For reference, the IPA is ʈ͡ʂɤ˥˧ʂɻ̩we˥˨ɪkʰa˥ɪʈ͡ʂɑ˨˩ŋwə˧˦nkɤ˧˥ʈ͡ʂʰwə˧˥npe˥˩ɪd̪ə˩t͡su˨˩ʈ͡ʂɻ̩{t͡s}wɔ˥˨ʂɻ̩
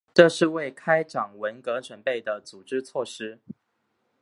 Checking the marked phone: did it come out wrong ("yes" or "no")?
yes